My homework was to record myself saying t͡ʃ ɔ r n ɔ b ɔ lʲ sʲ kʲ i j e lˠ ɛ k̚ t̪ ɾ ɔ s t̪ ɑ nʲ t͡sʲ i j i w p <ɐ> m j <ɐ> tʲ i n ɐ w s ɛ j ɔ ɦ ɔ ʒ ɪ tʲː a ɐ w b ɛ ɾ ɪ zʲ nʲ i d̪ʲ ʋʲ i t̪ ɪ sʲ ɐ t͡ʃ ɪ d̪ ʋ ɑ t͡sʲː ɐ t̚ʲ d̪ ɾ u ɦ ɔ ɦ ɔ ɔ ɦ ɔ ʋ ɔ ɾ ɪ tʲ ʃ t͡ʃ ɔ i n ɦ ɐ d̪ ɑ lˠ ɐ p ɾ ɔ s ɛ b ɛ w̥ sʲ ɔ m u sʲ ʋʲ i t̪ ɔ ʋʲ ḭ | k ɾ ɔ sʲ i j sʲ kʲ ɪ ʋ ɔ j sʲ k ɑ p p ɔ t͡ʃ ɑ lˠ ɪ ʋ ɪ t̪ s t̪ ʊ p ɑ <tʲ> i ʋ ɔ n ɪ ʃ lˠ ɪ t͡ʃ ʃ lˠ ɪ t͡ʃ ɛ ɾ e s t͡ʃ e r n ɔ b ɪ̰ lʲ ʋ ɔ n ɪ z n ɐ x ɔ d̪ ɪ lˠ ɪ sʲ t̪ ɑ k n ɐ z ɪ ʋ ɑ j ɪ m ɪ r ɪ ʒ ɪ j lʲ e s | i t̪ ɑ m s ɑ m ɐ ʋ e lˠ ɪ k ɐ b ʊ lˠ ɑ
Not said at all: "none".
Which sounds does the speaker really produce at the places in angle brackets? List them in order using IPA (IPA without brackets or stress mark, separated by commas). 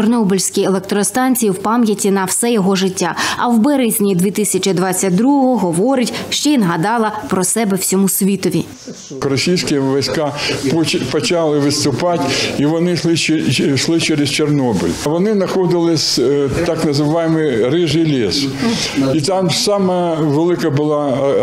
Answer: ɑ, ɐ, tʲ